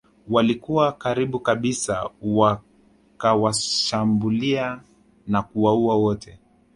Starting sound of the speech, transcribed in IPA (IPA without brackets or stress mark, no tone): w